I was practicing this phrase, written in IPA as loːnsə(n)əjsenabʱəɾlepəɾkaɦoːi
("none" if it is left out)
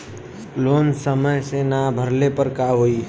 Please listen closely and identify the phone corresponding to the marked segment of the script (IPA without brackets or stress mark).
m